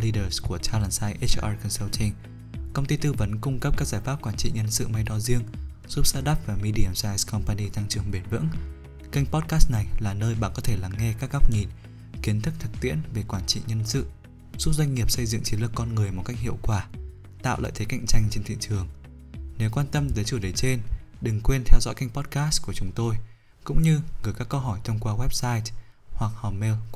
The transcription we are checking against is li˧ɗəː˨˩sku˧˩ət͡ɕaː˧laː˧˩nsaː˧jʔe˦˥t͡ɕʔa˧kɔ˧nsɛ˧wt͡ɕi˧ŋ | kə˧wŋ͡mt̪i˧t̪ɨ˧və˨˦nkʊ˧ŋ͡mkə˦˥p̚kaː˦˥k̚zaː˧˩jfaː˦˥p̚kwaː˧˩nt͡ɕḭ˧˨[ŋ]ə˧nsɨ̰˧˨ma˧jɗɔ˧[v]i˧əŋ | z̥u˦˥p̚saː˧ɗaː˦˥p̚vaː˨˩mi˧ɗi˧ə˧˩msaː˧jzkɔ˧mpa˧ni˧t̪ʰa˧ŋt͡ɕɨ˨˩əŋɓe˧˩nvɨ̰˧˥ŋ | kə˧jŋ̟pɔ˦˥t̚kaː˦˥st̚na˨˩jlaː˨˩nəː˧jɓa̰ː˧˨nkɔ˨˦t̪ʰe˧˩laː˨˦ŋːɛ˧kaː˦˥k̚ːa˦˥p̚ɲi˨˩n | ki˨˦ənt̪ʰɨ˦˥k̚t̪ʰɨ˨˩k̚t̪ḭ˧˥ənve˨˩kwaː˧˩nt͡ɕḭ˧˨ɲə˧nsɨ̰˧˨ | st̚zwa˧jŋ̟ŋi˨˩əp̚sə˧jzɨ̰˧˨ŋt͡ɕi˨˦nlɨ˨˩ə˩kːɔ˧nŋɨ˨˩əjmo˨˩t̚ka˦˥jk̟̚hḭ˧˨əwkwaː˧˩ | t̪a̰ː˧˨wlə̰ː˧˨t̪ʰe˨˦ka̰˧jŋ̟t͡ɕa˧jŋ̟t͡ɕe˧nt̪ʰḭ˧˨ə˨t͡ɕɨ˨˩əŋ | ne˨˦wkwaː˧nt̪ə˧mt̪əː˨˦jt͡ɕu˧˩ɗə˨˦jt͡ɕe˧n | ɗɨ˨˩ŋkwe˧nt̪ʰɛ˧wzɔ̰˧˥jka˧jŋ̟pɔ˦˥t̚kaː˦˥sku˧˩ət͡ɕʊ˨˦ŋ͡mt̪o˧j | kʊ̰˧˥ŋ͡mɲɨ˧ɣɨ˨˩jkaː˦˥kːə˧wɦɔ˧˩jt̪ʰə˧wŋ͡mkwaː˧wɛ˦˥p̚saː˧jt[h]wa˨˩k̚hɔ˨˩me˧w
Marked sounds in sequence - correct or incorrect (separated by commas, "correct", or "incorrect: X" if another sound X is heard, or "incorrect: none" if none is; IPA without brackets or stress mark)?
incorrect: ɲ, incorrect: z, correct